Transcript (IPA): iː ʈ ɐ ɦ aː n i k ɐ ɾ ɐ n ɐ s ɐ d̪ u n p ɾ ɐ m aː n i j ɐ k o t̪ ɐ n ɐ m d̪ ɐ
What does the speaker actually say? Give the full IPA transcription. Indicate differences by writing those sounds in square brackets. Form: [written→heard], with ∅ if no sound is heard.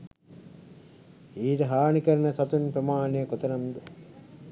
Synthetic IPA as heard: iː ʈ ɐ ɦ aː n i k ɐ ɾ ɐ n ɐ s ɐ [d̪→t̪] u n p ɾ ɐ m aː n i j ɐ k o t̪ ɐ n ɐ m d̪ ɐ